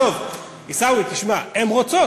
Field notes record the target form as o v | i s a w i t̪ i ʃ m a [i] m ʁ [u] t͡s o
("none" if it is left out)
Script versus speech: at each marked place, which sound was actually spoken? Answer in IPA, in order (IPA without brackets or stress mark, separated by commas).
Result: e, o